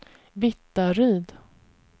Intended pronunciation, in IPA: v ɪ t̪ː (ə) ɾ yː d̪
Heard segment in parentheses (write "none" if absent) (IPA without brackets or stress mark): a